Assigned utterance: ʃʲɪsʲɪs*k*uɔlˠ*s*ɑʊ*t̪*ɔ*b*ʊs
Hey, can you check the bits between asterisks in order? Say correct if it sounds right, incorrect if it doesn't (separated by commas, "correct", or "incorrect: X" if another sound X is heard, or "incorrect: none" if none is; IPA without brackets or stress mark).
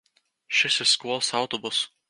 correct, correct, correct, correct